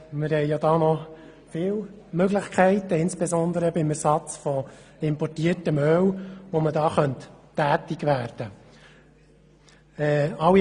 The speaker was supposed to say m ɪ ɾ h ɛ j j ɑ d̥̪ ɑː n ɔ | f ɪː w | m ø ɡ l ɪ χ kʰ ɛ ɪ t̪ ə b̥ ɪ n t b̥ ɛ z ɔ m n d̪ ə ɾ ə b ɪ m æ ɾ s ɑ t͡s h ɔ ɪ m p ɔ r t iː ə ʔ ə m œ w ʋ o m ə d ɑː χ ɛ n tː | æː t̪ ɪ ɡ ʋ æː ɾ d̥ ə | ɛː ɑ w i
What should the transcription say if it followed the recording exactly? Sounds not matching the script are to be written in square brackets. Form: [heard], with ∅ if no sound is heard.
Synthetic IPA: m ɪ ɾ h ɛ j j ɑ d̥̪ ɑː n ɔ | f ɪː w | m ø ɡ l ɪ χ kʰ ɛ ɪ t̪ ə [∅] ɪ n [s] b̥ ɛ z ɔ [∅] n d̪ ə ɾ ə b ɪ m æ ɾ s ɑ t͡s [f] ɔ ɪ m p ɔ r t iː ə [t] ə m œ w ʋ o m ə d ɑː χ [œ] n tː | æː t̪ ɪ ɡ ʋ æː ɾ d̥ ə | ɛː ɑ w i